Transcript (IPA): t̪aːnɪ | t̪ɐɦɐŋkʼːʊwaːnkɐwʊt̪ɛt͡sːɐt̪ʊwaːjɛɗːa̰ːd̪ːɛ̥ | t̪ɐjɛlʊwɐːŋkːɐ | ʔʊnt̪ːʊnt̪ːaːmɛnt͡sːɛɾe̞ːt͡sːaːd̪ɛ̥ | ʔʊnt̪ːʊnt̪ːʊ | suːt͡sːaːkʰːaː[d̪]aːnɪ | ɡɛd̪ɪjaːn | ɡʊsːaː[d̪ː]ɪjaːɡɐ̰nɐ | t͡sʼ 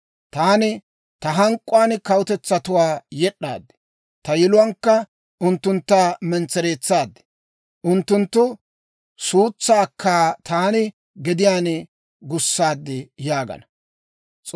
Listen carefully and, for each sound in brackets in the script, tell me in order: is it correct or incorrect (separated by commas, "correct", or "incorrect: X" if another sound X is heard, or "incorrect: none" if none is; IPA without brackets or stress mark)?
incorrect: t̪, correct